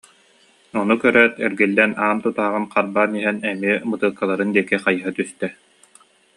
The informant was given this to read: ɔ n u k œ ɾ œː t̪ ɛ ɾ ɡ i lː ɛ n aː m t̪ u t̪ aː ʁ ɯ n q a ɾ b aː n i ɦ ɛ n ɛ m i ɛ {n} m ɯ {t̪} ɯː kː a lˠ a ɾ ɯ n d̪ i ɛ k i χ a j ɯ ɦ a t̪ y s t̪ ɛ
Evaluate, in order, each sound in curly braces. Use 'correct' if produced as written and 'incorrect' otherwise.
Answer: incorrect: none, correct

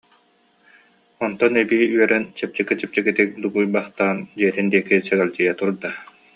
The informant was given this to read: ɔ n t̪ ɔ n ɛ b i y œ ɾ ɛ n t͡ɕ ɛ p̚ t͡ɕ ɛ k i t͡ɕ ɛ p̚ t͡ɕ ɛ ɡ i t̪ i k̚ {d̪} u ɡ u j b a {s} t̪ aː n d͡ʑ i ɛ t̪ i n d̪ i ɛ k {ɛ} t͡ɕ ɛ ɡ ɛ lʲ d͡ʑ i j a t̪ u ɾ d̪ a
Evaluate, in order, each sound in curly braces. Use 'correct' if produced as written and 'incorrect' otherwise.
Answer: correct, incorrect: χ, incorrect: i

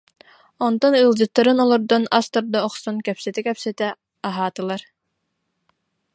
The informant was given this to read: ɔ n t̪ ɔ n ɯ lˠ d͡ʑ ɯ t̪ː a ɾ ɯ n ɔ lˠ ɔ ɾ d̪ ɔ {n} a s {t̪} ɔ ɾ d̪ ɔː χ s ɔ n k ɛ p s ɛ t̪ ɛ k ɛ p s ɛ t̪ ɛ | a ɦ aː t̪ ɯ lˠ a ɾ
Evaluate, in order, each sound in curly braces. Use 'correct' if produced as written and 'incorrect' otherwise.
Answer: correct, correct

